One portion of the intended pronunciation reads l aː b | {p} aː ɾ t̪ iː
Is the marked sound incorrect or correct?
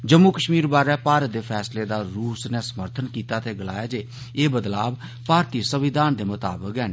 correct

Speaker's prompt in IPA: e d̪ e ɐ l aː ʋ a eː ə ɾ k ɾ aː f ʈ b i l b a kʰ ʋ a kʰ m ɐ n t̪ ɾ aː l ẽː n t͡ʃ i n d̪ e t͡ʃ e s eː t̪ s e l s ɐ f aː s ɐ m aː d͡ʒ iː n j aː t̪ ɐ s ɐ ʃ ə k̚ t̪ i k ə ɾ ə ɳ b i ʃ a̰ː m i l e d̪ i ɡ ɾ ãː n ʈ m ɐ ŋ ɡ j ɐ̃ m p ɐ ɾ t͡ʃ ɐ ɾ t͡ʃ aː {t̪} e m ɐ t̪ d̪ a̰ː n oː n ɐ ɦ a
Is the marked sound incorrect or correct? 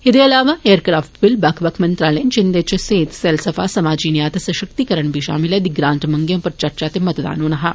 correct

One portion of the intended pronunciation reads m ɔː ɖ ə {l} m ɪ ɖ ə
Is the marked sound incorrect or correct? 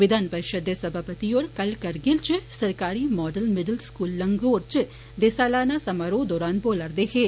correct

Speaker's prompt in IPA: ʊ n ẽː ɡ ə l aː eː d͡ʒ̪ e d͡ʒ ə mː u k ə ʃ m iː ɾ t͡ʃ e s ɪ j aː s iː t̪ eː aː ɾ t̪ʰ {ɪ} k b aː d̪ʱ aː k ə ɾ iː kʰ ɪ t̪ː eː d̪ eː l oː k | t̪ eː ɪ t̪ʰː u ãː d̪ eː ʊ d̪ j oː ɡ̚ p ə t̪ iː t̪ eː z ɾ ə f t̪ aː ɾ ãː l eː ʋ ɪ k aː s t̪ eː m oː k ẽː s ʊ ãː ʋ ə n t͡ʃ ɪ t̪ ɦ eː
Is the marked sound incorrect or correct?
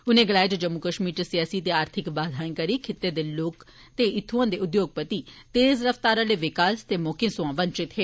correct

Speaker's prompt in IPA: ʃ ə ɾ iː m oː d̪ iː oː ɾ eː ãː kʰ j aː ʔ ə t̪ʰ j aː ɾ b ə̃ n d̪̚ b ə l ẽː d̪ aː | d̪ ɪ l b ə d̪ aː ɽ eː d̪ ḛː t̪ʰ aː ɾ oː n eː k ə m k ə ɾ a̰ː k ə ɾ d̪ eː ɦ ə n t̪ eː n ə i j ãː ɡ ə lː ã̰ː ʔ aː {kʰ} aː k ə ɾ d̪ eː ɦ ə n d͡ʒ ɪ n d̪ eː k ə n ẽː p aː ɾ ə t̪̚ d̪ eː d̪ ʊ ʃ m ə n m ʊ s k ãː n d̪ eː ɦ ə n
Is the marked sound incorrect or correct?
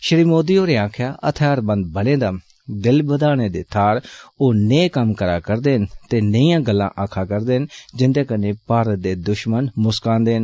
correct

